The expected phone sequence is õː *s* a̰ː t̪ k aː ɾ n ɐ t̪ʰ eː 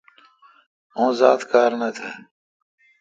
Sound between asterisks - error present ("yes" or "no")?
yes